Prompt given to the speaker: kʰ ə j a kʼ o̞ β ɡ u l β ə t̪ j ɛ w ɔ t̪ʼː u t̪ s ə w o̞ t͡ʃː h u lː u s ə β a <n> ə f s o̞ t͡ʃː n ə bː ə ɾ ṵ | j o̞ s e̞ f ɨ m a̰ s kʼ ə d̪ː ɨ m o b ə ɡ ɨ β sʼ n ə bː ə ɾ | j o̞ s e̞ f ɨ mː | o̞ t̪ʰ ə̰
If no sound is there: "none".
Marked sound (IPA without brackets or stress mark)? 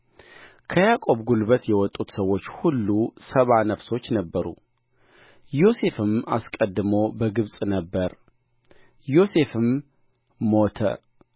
n